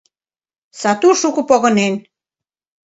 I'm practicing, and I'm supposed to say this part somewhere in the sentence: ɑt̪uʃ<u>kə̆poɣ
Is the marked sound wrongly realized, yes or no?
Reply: no